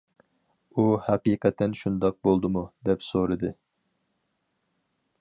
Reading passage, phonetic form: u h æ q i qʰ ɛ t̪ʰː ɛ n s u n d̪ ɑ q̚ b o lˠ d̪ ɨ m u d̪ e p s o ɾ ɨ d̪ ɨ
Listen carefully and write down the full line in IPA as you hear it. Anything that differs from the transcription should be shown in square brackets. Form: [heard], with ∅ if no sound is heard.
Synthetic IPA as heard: u h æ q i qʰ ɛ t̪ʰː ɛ n [ʃ] u n d̪ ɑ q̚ b o lˠ d̪ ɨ m u d̪ [ɛ] p s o ɾ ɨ d̪ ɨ